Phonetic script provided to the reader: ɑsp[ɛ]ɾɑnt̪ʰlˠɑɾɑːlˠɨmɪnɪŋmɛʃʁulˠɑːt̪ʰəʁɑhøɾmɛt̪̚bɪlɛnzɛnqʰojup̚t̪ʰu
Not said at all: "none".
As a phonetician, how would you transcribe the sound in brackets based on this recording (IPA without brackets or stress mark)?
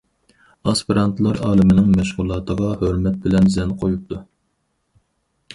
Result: i